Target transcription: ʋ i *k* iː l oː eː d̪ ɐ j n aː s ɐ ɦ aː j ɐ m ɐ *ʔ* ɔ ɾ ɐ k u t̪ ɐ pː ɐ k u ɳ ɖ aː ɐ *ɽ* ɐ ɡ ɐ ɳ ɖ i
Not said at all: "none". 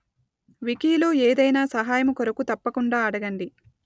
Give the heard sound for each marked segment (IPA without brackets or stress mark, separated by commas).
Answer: k, k, ɽ